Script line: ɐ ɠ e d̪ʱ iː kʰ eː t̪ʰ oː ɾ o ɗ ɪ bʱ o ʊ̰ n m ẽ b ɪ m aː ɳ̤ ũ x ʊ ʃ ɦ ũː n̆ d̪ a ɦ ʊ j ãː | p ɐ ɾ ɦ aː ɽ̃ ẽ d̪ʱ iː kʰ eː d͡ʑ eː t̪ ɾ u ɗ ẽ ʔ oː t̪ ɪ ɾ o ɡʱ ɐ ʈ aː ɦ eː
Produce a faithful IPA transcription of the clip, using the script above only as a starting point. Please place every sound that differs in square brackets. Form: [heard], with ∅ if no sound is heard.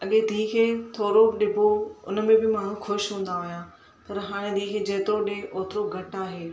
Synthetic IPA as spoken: ɐ ɠ e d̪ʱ iː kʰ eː t̪ʰ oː ɾ o ɗ ɪ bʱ o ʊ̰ n m ẽ b ɪ m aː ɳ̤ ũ x ʊ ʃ ɦ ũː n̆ d̪ a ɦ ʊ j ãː | p ɐ ɾ ɦ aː ɽ̃ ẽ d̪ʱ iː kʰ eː d͡ʑ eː t̪ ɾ [o] ɗ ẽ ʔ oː t̪ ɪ ɾ o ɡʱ ɐ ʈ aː ɦ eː